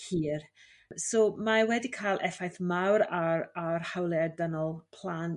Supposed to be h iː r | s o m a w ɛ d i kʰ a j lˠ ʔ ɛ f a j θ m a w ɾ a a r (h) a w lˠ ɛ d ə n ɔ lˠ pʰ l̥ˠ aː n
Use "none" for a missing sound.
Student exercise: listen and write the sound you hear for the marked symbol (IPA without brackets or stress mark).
h